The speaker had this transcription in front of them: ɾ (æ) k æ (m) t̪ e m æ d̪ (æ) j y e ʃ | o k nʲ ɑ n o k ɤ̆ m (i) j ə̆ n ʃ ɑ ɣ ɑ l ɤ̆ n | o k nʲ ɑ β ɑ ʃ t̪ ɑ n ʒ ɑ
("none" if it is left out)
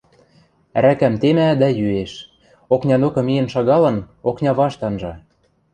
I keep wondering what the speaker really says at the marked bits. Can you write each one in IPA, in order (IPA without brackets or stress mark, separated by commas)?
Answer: æ, m, æ, i